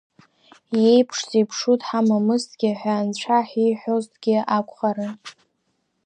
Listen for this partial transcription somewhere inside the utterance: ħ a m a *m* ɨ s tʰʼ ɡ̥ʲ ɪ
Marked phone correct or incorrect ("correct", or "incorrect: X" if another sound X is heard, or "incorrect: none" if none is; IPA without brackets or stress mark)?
correct